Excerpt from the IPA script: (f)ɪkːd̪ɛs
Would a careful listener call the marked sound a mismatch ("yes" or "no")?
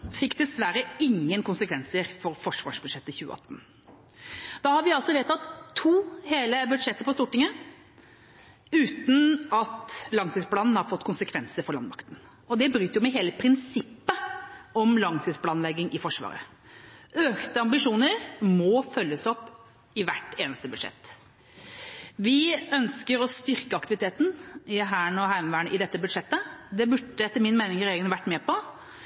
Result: no